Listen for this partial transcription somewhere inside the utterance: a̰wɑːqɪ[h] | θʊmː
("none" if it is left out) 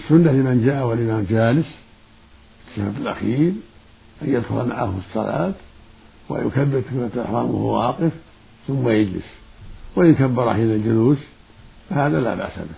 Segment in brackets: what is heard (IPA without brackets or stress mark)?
f